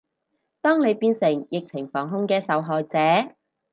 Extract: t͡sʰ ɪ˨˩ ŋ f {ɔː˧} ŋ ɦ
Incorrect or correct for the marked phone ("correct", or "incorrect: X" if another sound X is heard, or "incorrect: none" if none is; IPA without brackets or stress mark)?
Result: incorrect: ɔː˨˩